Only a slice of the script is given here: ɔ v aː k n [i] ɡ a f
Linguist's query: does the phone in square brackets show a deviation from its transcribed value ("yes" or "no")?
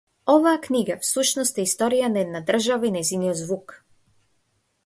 no